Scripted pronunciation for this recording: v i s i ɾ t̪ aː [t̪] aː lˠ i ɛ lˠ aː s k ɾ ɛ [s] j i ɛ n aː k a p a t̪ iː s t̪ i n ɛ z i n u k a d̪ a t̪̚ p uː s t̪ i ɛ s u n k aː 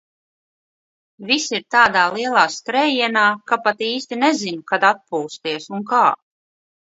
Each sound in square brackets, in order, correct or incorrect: incorrect: d̪, incorrect: none

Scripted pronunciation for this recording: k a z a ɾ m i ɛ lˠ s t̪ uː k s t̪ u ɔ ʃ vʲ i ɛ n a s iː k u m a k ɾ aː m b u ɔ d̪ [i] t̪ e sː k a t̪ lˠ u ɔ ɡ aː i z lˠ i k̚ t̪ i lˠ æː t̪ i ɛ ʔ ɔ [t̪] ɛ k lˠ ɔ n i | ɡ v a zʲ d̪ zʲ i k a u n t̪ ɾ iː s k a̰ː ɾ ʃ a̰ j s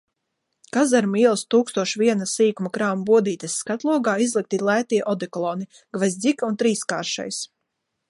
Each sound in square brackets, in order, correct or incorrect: incorrect: iː, incorrect: d̪

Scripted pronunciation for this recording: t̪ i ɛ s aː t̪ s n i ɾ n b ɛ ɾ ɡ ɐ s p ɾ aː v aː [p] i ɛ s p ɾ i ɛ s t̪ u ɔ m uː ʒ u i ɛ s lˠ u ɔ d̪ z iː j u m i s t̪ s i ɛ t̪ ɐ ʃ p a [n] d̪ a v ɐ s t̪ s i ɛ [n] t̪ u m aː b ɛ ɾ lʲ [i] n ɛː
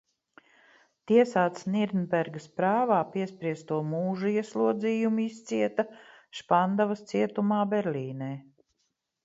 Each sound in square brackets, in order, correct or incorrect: correct, correct, incorrect: none, incorrect: iː

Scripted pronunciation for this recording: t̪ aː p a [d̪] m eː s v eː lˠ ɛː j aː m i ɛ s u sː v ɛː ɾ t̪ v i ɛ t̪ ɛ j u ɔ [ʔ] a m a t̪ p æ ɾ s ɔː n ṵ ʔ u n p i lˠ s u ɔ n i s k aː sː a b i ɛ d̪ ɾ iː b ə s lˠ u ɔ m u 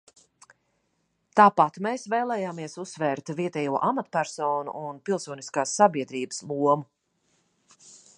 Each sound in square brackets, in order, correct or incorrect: incorrect: t̪, correct

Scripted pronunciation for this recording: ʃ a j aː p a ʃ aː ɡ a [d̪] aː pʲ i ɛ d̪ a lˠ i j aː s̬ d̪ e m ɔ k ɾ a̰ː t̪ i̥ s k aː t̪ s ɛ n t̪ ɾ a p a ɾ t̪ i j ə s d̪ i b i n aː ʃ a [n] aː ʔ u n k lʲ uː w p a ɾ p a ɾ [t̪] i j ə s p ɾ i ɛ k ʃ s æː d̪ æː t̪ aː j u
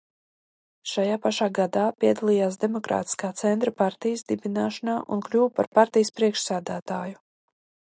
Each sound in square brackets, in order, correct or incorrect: correct, correct, correct

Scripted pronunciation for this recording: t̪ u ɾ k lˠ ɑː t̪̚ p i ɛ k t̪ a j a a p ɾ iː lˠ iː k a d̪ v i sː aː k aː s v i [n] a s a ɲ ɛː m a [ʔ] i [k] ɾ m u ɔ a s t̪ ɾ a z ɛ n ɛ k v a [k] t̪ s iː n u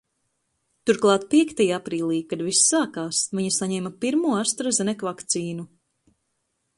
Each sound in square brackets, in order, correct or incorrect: incorrect: ɲ, incorrect: p, incorrect: none, correct

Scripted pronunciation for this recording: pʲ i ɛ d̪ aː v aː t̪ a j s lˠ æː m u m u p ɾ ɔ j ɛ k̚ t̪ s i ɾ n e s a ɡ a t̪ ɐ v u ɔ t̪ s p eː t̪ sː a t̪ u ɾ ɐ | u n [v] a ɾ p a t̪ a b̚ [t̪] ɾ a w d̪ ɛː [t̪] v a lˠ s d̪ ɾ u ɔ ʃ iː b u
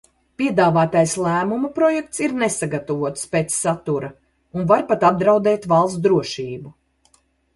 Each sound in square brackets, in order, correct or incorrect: correct, incorrect: d̪, correct

